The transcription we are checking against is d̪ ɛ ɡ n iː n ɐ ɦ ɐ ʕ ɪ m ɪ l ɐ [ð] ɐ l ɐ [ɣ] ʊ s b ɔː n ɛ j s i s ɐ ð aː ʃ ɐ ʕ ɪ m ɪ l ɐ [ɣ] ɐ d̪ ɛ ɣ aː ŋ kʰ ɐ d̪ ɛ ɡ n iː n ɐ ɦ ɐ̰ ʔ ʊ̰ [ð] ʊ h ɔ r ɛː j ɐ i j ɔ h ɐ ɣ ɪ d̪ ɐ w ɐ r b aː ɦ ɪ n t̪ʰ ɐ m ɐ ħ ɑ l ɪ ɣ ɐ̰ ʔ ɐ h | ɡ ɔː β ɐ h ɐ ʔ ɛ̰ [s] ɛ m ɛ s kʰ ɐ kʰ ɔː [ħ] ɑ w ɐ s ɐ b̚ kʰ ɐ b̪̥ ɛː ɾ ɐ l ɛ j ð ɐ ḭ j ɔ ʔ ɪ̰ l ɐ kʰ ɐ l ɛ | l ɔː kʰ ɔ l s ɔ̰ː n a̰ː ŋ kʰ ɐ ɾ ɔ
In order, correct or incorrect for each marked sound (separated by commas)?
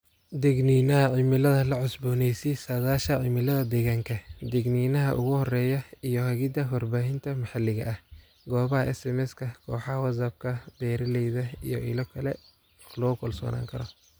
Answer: correct, incorrect, incorrect, incorrect, correct, correct